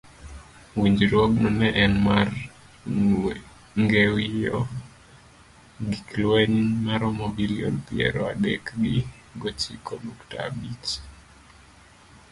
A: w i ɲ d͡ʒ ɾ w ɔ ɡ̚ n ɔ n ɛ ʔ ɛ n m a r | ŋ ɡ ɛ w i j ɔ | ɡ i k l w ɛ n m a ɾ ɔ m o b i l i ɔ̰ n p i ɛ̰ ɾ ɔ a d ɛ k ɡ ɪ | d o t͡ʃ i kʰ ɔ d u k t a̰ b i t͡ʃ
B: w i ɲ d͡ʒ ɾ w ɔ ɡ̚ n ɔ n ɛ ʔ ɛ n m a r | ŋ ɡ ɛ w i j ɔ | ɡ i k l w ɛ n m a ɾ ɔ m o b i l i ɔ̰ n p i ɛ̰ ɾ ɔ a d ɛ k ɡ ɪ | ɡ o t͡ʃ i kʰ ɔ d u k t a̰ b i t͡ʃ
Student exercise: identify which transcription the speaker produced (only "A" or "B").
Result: B